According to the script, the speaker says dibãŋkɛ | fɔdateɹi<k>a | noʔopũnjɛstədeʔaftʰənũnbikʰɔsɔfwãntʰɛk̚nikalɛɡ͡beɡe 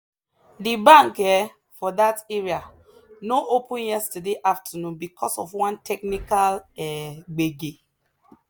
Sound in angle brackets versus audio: incorrect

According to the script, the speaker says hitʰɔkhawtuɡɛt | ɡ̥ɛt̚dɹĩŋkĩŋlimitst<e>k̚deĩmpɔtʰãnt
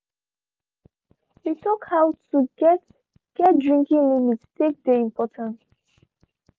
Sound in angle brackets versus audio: correct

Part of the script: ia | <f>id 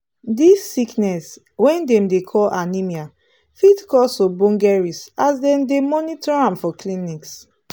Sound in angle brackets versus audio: correct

